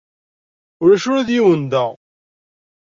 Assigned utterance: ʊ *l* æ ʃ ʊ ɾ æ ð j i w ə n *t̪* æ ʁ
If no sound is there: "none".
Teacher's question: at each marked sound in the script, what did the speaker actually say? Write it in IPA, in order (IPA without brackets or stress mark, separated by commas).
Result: ɾ, d̪